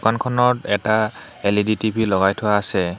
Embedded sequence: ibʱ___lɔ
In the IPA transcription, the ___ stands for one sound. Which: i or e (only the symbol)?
i